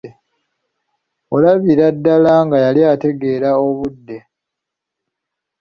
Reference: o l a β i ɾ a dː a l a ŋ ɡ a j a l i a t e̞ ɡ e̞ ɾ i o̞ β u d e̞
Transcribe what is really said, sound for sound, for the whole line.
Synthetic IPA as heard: o l a β i ɾ a dː a l a ŋ ɡ a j a l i a t e̞ ɡ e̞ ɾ a o̞ β u dː e̞